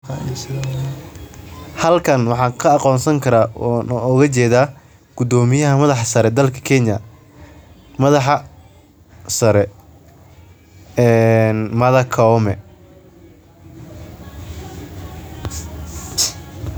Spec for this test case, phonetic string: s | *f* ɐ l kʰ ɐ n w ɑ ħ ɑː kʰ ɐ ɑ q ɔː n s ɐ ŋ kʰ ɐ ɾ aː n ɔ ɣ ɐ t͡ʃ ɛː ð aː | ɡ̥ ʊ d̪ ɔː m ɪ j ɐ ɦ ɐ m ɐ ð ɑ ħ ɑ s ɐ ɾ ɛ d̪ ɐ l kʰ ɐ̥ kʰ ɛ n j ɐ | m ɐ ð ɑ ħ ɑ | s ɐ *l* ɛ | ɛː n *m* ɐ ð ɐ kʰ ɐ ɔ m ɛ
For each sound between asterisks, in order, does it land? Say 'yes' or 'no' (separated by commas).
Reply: no, no, yes